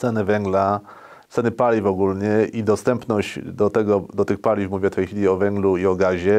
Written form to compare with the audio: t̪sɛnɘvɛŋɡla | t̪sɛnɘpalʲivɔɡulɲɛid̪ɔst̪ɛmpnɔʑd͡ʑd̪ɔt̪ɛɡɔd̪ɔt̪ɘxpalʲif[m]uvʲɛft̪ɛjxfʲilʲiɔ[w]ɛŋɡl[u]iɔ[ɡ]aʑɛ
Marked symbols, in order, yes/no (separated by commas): yes, no, yes, yes